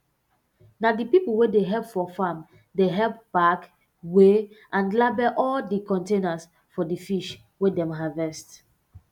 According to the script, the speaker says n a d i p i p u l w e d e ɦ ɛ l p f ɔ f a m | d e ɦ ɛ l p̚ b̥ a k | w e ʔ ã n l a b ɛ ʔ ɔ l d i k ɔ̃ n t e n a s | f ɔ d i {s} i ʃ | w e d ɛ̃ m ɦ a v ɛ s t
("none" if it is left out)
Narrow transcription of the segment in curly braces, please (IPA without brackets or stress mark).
f